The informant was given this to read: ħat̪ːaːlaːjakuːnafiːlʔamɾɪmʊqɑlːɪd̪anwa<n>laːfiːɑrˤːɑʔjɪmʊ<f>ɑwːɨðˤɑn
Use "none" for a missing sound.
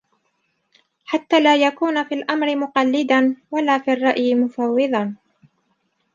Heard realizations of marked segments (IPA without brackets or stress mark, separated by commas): none, f